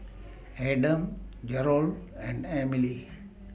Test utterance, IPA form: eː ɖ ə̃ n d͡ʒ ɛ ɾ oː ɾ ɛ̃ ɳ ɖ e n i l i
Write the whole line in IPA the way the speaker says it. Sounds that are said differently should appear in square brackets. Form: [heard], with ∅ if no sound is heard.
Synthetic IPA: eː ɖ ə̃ [m] d͡ʒ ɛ ɾ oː [l] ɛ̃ ɳ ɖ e [m] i l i